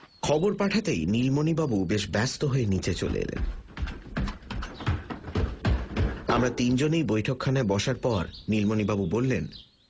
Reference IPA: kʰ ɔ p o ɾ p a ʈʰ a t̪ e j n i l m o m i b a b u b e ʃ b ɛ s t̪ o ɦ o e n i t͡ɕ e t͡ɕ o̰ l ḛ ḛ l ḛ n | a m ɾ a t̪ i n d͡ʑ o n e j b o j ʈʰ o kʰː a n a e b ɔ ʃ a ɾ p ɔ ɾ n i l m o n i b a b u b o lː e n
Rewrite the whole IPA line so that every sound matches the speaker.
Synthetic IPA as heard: kʰ ɔ b o ɾ p a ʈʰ a t̪ e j n i l m o n i b a b u b e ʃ b ɛ s t̪ o ɦ o e n i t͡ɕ e t͡ɕ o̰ l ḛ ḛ l ḛ n | a m ɾ a t̪ i n d͡ʑ o n e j b o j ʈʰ o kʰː a n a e b ɔ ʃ a ɾ p ɔ ɾ n i l m o n i b a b u b o lː e n